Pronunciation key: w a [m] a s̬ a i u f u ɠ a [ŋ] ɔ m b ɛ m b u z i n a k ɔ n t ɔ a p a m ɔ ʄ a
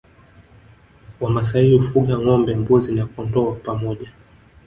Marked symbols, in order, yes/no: yes, yes

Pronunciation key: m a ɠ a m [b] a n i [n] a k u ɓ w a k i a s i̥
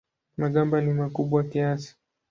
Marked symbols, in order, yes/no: yes, no

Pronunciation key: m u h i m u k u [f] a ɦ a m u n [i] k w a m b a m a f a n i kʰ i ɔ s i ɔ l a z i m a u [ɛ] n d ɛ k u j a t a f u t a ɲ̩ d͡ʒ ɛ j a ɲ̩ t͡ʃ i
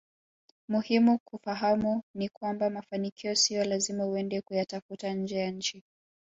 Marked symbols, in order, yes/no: yes, yes, yes

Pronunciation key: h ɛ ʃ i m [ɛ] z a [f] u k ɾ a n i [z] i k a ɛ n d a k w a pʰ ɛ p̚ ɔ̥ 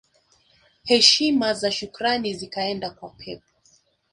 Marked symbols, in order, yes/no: no, no, yes

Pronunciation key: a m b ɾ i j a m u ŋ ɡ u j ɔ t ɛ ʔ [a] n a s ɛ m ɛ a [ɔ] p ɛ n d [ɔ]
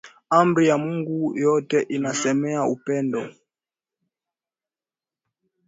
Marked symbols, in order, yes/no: no, no, yes

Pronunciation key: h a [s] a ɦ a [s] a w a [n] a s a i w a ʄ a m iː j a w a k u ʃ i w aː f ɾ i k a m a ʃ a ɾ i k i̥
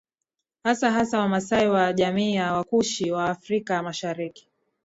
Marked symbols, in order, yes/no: yes, yes, no

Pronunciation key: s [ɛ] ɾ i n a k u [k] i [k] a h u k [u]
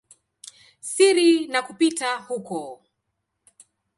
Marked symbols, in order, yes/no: no, no, no, no

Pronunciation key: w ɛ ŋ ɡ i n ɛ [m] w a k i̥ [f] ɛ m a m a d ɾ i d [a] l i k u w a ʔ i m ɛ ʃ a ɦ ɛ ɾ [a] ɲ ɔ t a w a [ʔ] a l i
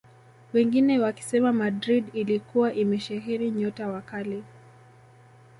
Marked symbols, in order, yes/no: no, no, no, no, no

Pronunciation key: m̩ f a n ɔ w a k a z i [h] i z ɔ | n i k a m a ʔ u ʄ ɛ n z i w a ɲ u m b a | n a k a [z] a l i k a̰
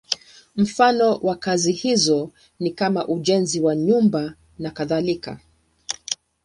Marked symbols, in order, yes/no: yes, no

